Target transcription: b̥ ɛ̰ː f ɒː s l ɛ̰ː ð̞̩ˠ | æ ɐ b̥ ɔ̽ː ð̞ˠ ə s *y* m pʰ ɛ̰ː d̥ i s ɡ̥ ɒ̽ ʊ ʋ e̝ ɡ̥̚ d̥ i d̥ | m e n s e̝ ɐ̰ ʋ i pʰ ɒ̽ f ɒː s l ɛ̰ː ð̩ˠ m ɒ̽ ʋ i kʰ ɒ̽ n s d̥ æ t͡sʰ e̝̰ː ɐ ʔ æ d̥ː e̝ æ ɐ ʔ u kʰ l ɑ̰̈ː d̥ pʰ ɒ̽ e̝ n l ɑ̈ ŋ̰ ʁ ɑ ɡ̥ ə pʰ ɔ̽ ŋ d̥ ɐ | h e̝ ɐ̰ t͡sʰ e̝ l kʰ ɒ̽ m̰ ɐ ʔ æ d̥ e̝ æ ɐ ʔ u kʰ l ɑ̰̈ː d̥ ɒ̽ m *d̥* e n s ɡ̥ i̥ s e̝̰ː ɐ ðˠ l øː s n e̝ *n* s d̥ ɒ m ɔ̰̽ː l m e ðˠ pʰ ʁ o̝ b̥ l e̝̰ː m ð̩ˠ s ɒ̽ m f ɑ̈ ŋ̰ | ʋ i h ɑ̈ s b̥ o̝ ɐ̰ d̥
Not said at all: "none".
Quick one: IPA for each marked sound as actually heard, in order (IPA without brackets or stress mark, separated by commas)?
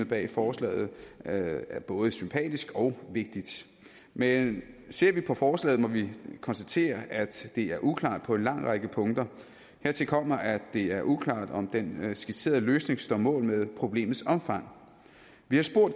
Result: y, d̥, ŋ